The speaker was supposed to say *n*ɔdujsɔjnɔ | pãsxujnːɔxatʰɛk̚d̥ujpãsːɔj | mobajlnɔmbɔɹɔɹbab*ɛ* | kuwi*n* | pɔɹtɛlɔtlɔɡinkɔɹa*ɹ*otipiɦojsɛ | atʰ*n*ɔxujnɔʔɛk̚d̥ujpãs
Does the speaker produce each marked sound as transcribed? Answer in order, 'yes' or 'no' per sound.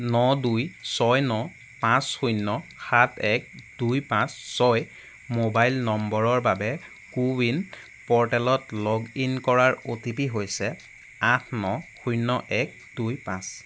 yes, yes, yes, yes, yes

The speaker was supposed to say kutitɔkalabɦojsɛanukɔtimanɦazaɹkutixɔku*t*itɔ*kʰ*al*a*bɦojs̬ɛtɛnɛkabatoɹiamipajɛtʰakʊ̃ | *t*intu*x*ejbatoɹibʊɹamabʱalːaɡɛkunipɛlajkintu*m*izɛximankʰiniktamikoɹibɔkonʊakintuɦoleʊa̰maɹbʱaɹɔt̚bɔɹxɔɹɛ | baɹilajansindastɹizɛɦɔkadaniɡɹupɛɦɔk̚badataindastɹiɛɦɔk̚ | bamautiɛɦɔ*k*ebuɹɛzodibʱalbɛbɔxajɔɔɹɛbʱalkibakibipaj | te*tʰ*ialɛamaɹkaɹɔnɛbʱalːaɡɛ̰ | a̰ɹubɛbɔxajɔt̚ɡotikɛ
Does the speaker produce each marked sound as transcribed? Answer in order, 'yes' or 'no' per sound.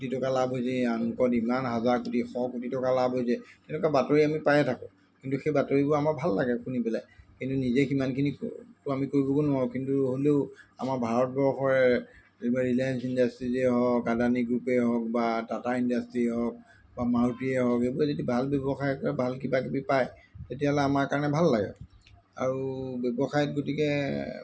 yes, no, yes, no, yes, no, yes, no

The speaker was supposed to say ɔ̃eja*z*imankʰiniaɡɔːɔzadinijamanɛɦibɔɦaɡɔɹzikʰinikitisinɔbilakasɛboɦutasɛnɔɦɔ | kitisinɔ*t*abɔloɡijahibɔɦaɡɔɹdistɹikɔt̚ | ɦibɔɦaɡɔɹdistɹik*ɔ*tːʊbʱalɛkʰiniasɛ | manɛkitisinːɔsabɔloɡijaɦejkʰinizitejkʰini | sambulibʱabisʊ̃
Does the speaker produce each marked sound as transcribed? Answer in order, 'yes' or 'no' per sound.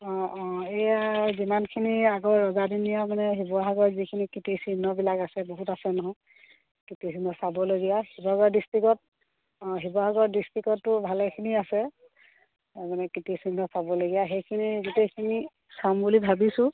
yes, no, yes

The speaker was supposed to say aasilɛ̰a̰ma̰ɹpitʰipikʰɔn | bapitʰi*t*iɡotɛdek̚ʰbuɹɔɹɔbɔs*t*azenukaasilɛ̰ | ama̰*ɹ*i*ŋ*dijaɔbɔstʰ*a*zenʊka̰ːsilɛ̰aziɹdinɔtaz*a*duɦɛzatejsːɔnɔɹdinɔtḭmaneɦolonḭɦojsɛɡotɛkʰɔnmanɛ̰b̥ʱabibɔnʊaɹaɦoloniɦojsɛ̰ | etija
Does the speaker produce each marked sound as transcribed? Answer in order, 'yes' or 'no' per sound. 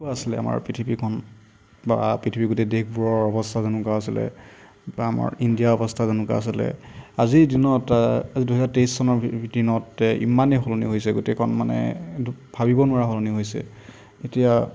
no, no, yes, no, yes, no

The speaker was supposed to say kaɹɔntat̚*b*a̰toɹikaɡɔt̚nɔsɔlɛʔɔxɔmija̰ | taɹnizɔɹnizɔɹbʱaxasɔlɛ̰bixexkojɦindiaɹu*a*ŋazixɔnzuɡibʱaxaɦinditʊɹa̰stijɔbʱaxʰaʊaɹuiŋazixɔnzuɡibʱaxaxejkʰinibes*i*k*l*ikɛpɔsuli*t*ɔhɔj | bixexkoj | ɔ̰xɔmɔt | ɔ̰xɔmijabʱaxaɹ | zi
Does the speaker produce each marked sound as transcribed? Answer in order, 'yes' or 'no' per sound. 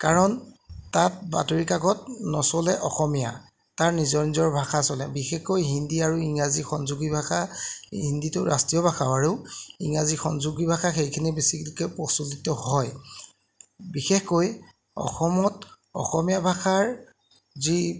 yes, no, yes, yes, yes

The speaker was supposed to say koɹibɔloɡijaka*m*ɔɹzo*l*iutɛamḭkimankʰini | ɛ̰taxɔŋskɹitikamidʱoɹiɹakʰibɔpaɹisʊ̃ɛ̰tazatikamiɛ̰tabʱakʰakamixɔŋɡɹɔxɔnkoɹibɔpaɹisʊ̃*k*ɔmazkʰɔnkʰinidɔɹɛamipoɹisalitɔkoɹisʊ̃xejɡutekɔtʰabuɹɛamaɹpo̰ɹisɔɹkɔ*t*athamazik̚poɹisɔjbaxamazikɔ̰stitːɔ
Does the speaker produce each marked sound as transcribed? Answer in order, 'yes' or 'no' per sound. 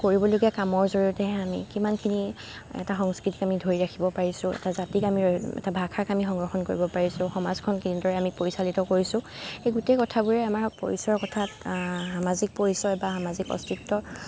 yes, no, no, no

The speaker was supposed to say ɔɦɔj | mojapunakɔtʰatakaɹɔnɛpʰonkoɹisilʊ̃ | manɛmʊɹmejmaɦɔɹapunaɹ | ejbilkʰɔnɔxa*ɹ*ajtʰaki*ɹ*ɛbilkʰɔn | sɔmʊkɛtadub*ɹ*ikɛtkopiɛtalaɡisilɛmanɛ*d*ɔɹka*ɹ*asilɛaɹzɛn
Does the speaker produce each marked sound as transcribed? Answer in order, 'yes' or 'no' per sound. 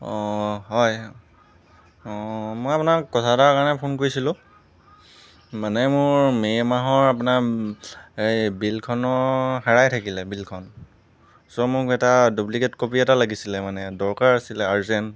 yes, no, no, yes, yes

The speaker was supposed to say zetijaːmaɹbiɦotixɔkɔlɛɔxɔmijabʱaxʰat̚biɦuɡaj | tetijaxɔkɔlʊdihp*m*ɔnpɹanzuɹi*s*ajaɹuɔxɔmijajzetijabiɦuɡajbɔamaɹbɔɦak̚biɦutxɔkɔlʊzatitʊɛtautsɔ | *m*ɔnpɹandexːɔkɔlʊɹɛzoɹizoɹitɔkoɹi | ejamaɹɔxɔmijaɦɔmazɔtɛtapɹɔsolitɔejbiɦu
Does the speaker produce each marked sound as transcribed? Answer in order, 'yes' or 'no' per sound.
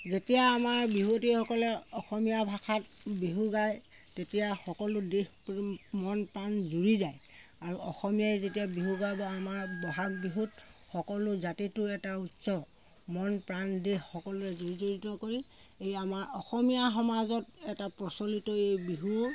yes, no, yes

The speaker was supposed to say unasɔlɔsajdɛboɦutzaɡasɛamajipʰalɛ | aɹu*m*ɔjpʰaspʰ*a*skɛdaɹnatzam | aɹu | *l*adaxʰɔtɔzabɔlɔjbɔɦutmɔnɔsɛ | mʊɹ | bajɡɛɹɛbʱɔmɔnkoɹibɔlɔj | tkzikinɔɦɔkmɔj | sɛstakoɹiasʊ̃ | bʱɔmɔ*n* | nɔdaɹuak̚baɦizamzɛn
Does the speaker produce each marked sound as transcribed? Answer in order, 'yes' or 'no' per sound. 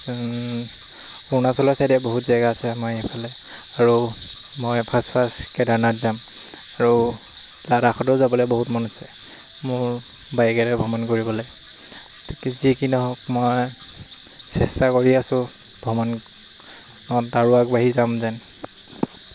yes, yes, yes, yes

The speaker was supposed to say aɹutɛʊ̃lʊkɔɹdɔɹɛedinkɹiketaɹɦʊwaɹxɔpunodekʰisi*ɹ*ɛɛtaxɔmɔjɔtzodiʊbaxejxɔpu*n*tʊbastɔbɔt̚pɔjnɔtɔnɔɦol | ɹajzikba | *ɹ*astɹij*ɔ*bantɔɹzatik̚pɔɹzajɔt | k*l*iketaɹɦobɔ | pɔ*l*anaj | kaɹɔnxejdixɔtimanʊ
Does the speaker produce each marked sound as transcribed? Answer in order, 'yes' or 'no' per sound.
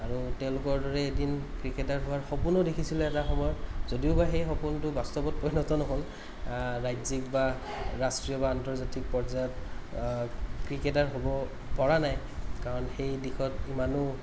no, yes, yes, yes, no, no

